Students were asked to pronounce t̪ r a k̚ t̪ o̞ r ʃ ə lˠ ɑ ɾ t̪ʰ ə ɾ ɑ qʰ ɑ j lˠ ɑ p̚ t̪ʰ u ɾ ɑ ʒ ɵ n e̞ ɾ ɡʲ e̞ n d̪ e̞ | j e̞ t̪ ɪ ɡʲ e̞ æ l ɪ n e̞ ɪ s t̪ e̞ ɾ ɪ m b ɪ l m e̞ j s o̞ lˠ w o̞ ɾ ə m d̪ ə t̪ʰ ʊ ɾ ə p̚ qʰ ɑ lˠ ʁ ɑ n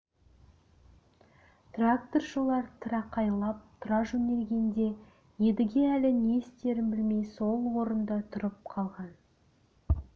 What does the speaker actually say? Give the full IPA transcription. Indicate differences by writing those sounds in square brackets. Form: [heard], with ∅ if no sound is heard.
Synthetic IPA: t̪ r a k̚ t̪ o̞ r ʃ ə lˠ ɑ ɾ t̪ʰ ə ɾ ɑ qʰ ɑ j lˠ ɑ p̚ t̪ʰ [ʊ] ɾ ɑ ʒ ɵ n e̞ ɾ ɡʲ e̞ n d̪ e̞ | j e̞ [d̪] ɪ ɡʲ e̞ æ l ɪ n e̞ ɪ s t̪ e̞ ɾ ɪ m b ɪ l m e̞ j s o̞ lˠ w o̞ ɾ ə [n] d̪ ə t̪ʰ ʊ ɾ ə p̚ qʰ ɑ lˠ ʁ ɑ n

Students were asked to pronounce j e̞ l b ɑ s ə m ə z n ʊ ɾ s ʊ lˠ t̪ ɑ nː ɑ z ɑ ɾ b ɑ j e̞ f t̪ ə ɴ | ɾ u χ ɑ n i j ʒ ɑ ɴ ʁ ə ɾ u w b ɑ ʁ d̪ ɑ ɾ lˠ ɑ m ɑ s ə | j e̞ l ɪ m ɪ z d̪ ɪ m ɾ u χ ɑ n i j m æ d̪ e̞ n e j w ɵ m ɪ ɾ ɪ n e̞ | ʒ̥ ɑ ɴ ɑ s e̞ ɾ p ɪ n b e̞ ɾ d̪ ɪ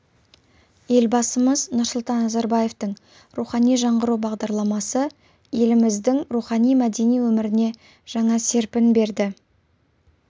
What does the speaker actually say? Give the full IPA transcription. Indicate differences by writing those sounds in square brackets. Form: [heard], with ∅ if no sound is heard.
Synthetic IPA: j e̞ l b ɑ s ə m ə z n ʊ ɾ s ʊ lˠ t̪ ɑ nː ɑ z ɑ ɾ b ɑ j e̞ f t̪ ə ɴ | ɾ u χ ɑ n i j ʒ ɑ ɴ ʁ ə ɾ u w b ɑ ʁ d̪ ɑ ɾ lˠ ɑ m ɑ s ə | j e̞ l ɪ m ɪ z d̪ ɪ [ŋ] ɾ u χ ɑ n i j m æ d̪ e̞ n [i] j w ɵ m ɪ ɾ ɪ n e̞ | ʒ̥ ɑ ɴ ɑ s e̞ ɾ p ɪ n b e̞ ɾ d̪ ɪ

